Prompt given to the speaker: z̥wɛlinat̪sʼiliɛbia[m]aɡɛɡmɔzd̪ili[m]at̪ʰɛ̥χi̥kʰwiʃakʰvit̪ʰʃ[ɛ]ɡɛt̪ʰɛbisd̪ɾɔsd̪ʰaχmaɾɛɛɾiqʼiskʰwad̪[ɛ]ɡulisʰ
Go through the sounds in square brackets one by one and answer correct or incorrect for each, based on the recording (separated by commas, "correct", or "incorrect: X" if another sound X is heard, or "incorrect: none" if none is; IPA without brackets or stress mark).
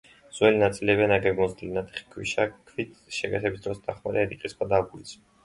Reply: incorrect: n, incorrect: n, correct, incorrect: a